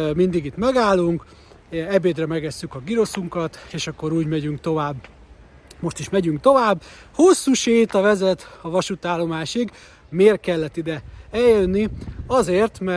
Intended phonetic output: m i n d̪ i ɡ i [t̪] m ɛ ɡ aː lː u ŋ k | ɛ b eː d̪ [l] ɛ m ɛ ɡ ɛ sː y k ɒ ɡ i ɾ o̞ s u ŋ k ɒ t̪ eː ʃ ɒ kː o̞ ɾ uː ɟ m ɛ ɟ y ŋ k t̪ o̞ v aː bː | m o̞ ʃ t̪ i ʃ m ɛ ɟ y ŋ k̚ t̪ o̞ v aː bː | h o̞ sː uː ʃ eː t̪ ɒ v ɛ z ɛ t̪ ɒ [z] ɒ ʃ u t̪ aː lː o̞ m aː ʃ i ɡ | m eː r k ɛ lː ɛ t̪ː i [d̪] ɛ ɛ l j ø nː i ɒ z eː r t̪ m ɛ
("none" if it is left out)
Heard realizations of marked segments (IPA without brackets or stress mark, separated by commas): t̪, r, v, d̪